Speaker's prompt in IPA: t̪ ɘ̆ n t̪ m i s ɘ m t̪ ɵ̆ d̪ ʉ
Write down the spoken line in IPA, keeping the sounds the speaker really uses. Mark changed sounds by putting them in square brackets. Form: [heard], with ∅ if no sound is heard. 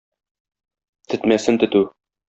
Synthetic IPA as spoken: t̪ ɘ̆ [∅] t̪ m [æ] s ɘ [n] t̪ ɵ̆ [t̪] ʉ